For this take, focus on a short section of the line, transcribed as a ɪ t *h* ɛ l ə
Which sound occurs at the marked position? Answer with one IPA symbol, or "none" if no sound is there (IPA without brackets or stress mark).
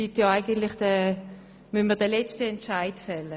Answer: f